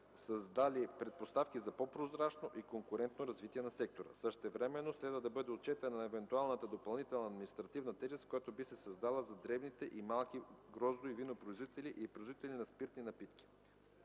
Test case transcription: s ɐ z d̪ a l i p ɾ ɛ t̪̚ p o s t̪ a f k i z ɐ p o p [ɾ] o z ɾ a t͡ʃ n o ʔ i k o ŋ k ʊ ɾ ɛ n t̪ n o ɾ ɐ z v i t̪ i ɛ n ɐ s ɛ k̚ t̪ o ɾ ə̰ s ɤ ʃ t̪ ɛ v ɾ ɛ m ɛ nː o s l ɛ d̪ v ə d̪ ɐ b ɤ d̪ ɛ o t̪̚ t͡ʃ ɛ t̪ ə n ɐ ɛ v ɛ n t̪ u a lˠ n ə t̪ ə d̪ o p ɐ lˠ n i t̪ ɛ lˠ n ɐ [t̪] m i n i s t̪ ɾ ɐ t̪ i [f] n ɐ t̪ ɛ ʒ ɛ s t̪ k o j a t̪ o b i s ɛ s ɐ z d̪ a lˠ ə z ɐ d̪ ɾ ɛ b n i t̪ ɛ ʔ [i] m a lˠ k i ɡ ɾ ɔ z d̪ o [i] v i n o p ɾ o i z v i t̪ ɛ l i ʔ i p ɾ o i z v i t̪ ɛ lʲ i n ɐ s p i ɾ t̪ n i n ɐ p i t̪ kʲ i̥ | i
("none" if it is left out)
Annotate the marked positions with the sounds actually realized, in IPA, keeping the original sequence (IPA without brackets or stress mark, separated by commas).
ɾ, d̪, v, i, i